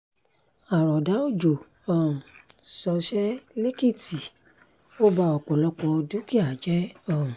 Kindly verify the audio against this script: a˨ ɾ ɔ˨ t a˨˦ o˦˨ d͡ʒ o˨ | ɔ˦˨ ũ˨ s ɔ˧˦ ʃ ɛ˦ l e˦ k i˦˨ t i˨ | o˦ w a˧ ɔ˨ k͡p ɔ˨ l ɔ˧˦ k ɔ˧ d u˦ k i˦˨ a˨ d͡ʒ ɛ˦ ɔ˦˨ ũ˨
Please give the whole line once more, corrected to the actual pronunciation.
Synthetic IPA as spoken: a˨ ɾ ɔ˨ d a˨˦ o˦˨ d͡ʒ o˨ | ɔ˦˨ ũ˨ s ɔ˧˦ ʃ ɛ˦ l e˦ k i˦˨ t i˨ | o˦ b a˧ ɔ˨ k͡p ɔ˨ l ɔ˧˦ k͡p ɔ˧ d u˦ k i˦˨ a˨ d͡ʒ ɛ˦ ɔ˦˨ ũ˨